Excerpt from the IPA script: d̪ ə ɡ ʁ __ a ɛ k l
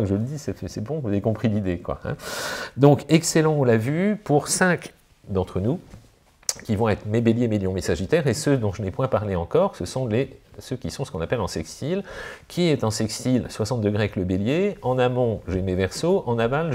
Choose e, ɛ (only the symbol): e